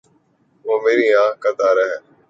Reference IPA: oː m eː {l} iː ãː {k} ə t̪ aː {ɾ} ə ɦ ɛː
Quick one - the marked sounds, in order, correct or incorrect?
incorrect: ɾ, correct, correct

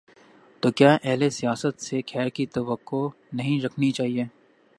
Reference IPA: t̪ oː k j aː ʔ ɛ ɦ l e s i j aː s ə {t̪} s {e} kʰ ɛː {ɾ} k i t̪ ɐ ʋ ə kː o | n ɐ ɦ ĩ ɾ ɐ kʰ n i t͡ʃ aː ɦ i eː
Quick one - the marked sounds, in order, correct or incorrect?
correct, correct, correct

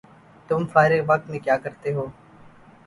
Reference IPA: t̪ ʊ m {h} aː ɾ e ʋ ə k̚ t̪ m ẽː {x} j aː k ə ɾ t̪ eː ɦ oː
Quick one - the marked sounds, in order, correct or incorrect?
incorrect: f, incorrect: k

